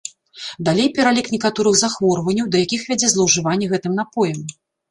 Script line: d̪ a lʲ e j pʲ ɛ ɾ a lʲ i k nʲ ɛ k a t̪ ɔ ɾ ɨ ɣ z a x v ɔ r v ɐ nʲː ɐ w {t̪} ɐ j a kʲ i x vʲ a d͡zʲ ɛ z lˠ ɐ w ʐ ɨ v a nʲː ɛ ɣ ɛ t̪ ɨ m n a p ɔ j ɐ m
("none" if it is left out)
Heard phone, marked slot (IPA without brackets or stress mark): d̪